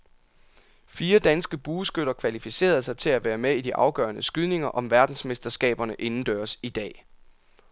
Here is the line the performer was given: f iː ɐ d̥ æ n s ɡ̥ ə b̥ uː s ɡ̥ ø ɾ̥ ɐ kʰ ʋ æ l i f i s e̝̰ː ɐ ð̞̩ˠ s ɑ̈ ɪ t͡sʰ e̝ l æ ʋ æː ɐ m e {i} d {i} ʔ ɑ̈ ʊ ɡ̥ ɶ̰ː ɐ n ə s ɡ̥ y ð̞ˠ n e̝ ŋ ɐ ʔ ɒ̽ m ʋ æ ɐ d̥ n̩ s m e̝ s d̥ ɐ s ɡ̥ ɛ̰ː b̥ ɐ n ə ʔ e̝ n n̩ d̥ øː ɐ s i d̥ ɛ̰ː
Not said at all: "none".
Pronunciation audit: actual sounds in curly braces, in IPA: i, i

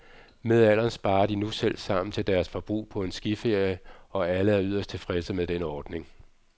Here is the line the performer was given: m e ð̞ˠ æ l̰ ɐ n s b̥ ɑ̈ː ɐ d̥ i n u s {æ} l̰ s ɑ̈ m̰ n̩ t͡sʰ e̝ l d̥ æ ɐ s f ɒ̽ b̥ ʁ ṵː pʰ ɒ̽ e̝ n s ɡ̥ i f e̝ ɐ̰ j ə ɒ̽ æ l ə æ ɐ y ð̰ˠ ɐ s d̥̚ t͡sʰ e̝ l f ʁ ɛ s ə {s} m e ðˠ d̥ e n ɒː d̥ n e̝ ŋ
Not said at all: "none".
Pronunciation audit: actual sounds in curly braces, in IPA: e, none

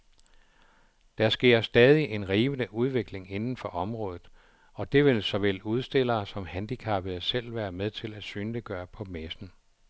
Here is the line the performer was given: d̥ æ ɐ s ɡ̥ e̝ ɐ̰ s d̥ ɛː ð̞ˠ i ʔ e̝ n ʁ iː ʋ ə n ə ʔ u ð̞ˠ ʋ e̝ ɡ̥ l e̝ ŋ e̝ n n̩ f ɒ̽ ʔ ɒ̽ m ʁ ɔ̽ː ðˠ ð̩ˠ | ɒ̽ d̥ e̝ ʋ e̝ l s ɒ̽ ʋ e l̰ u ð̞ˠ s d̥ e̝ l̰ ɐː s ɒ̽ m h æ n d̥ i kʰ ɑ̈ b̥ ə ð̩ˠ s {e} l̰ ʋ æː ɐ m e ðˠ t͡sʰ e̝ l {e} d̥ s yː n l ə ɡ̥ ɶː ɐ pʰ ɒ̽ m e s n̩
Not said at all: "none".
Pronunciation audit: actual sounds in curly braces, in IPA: e, æ

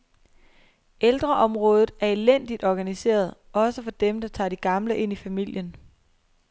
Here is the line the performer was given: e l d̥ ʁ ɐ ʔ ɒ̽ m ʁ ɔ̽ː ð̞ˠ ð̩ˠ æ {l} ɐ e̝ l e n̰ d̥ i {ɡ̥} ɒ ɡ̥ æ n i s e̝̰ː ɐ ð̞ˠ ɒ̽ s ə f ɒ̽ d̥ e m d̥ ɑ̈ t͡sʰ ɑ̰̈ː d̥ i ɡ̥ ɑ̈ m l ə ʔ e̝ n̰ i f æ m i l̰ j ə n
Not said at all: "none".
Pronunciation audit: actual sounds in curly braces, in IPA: none, d̥

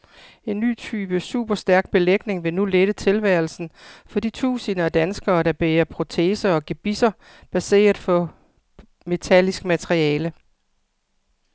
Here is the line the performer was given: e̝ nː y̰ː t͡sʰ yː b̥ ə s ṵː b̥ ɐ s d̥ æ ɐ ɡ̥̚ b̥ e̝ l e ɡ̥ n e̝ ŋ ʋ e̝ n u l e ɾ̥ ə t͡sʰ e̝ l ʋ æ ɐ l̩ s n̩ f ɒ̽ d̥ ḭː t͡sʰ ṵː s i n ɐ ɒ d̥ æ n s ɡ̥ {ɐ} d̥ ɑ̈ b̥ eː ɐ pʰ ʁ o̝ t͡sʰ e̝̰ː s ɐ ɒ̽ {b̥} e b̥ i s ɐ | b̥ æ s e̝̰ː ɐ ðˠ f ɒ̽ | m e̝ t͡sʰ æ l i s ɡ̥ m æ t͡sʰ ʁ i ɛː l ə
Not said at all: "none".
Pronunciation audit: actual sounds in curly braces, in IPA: ɐː, ɡ̥

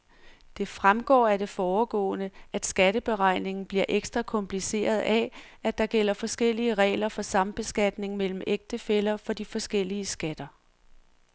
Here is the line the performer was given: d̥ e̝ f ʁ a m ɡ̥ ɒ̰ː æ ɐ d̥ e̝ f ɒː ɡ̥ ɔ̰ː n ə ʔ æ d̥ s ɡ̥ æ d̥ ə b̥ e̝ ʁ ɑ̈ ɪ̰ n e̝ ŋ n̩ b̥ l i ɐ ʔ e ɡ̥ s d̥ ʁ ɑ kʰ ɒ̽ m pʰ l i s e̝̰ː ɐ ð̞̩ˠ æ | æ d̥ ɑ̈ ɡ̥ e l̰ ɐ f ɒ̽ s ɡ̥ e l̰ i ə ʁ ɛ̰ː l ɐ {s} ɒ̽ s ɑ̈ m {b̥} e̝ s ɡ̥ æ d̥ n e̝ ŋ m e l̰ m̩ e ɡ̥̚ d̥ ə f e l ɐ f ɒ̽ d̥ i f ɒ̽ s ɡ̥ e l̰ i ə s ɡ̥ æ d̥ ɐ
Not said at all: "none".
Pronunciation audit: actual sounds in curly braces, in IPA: f, b̥

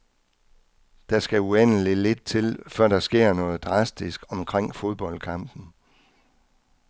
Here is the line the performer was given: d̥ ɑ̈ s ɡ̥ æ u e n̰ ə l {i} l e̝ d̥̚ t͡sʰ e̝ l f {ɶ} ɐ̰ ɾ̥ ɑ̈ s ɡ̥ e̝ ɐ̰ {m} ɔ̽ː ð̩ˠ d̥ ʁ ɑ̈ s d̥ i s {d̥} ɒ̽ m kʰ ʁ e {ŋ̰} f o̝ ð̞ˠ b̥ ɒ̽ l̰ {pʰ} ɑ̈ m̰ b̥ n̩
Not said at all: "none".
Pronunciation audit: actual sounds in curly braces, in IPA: i, ɶ, n, ɡ̥, ŋ̰, kʰ

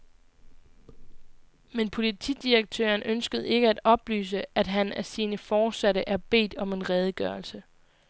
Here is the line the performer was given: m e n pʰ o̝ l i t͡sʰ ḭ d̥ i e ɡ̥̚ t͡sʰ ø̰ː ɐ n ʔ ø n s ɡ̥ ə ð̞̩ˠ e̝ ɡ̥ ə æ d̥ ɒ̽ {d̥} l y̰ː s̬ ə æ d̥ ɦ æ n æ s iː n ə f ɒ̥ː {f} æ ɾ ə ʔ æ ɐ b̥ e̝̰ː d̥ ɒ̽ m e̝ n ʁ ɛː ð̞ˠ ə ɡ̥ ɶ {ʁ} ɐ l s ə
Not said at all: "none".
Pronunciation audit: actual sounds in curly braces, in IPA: b̥, s, none

